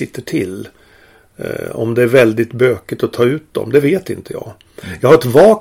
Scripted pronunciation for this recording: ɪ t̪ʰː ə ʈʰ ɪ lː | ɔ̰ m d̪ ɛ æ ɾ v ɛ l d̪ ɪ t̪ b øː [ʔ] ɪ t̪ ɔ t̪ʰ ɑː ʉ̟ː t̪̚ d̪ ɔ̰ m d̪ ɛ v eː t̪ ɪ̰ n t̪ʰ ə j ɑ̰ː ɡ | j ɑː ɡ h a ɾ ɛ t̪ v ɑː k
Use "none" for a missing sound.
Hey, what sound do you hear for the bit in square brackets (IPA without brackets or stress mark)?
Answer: k